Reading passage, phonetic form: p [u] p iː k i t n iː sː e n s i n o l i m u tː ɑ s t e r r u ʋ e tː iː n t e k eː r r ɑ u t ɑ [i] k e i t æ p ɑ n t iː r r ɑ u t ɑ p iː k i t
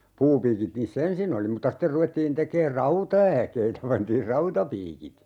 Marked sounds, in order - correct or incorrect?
incorrect: uː, incorrect: æ

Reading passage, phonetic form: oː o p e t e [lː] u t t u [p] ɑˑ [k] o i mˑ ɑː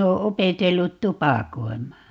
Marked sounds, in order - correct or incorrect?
correct, correct, correct

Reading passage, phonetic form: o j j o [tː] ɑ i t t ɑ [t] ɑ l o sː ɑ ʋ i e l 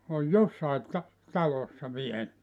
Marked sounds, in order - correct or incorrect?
incorrect: sː, correct

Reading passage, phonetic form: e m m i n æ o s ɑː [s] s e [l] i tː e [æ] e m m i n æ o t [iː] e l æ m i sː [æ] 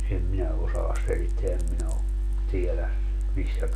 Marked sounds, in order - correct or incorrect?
correct, correct, correct, incorrect: i, correct

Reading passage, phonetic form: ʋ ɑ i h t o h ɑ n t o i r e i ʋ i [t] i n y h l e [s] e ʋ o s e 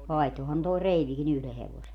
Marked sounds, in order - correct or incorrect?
incorrect: k, incorrect: h

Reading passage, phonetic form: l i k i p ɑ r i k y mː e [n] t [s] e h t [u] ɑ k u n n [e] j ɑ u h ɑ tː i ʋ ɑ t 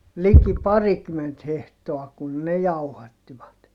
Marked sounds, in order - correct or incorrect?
correct, incorrect: h, incorrect: o, correct

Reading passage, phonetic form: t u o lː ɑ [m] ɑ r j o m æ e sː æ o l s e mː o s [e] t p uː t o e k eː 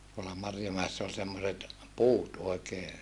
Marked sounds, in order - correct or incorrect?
correct, correct

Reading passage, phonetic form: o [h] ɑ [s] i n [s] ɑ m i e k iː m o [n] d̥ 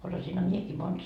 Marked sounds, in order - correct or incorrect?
incorrect: s, correct, incorrect: h, correct

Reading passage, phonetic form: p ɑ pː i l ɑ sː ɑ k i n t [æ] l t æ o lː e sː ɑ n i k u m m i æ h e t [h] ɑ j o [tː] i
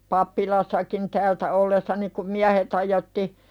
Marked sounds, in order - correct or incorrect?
incorrect: æː, correct, correct

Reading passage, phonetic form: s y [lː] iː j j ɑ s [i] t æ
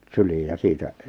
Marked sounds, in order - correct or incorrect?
incorrect: l, incorrect: iː

